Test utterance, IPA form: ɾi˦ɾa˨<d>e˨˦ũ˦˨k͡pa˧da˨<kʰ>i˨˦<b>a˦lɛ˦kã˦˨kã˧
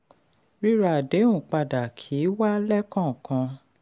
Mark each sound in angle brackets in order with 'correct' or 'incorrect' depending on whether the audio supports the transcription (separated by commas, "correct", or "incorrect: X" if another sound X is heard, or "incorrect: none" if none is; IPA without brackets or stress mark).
correct, correct, incorrect: w